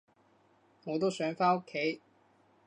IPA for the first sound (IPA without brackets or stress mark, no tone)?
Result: ŋ